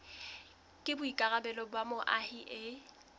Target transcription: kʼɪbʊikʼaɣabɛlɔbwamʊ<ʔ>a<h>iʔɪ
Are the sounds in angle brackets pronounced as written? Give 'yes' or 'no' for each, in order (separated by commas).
yes, yes